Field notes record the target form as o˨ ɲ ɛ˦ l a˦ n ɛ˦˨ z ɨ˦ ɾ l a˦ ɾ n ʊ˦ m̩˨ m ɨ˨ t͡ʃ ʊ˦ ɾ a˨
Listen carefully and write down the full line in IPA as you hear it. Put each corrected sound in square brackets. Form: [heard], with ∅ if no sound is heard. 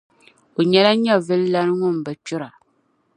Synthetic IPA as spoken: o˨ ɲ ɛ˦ l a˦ [ɲ] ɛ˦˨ [v] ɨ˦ [l] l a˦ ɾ [ŋ] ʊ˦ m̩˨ [b] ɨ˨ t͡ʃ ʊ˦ ɾ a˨